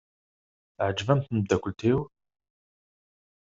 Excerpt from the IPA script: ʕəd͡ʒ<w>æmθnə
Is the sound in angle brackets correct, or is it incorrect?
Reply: incorrect